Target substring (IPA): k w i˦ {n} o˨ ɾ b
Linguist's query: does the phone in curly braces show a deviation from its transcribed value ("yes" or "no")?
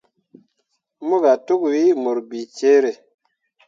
yes